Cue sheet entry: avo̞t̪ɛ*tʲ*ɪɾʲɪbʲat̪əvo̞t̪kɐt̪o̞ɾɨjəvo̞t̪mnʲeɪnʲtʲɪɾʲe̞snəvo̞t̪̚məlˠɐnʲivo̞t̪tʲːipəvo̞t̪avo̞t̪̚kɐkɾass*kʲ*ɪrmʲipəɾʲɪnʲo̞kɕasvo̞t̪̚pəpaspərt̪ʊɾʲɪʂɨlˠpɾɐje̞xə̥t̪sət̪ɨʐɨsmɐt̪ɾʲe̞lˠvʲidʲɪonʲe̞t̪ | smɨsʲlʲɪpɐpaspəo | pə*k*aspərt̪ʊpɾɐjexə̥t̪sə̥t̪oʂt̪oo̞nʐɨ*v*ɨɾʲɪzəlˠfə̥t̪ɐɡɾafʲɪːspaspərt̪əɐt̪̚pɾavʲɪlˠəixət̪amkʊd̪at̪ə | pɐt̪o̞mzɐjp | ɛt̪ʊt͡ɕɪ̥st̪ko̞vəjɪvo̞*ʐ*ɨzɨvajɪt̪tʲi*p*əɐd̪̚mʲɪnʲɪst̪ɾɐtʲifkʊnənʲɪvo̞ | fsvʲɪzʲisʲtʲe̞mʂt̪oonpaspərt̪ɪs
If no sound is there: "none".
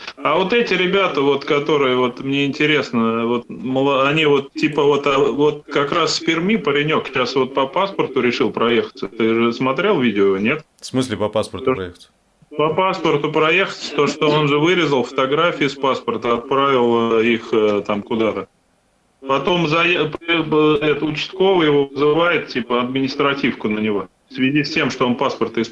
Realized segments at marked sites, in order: tʲ, pʲ, p, v, v, p

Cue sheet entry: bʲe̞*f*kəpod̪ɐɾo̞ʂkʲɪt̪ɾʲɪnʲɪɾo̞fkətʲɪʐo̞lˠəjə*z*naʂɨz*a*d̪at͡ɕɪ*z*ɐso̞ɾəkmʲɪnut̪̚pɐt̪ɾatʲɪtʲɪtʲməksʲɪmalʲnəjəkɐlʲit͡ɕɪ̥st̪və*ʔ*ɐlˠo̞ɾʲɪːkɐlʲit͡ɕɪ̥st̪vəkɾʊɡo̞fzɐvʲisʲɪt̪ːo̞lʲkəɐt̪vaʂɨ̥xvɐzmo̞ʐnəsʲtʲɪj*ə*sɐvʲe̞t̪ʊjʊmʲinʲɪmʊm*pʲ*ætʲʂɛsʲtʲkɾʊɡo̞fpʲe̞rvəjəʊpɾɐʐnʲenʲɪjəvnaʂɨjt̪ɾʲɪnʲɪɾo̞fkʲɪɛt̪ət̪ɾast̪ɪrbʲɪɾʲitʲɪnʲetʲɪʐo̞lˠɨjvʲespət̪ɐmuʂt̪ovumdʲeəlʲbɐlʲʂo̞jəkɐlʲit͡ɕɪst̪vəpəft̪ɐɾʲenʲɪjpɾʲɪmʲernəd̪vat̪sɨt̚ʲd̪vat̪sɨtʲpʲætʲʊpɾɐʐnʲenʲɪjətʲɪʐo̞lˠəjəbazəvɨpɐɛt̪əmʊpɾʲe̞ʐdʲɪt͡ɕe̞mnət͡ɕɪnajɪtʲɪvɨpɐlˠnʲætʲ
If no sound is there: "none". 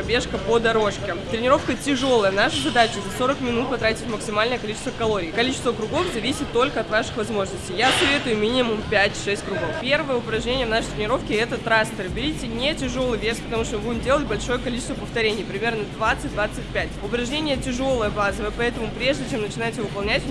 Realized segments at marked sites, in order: ʂ, v, ɐ, z, k, a, pʲ

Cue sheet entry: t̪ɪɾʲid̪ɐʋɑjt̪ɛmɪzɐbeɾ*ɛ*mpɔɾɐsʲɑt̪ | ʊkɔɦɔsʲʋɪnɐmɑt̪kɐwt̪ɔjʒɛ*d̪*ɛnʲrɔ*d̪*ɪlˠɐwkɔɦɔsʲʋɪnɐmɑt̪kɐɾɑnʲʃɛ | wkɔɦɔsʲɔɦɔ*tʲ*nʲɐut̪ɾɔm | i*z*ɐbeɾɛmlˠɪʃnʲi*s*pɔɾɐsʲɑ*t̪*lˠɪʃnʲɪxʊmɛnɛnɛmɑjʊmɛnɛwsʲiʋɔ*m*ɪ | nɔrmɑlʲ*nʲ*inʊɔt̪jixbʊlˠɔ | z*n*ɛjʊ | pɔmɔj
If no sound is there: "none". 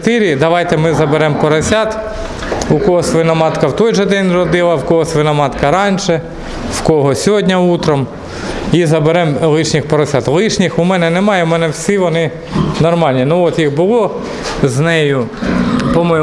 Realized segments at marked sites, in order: ɛ, d̪, d̪, dʲ, z, x, t̪, n, nʲ, n

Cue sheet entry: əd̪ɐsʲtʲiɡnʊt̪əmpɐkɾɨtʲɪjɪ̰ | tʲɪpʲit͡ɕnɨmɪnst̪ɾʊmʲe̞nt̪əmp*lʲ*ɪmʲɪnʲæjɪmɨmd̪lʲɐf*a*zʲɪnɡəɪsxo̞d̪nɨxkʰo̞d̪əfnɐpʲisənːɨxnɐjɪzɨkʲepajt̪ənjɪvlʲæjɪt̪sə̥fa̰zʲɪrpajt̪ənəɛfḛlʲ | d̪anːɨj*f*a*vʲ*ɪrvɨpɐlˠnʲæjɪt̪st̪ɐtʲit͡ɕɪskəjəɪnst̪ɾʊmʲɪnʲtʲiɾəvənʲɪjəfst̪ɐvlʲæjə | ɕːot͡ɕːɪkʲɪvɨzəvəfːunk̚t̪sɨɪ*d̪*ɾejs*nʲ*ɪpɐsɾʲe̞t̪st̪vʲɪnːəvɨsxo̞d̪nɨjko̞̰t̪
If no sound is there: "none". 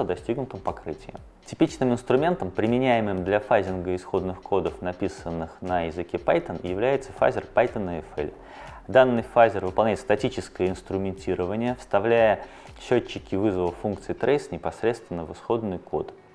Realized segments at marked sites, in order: ɾʲ, a, f, zʲ, t̪, nʲ

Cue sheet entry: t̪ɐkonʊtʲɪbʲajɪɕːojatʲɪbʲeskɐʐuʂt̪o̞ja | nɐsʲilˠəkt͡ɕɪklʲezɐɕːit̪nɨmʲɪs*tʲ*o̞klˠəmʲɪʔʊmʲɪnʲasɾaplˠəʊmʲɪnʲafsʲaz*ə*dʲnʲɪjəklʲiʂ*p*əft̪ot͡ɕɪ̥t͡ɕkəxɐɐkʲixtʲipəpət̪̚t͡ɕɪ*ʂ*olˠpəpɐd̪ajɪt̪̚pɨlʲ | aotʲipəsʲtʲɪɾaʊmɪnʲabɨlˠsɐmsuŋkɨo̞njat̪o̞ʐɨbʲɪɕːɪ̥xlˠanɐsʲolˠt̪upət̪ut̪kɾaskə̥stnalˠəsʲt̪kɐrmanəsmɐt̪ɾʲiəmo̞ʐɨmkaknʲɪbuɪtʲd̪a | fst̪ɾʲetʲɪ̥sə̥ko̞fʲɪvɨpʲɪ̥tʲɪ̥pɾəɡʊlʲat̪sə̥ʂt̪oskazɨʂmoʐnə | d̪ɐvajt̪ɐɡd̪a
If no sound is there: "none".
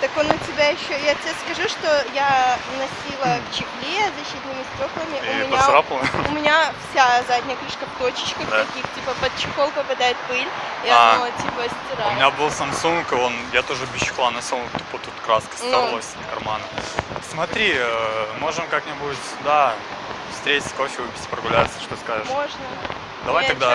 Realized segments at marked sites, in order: tʲ, a, k, x

